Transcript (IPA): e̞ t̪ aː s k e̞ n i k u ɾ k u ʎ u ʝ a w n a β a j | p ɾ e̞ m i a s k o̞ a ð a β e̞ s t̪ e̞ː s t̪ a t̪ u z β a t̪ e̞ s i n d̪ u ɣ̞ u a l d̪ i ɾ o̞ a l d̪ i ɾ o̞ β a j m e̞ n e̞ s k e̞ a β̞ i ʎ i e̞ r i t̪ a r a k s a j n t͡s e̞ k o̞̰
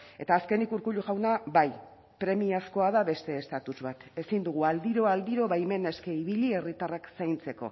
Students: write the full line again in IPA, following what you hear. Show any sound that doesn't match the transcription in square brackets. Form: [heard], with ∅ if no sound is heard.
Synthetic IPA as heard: e̞ t̪ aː s k e̞ n i k u ɾ k u ʎ u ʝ a w n a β a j | p ɾ e̞ m i a s k o̞ a ð a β e̞ s t̪ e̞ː s t̪ a t̪ u z β a t̪ e̞ s i n d̪ u ɣ̞ u a l d̪ i ɾ o̞ a l d̪ i ɾ o̞ β a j m e̞ n e̞ s k e̞ [i] β̞ i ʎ i e̞ r i t̪ a r a k s a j n t͡s e̞ k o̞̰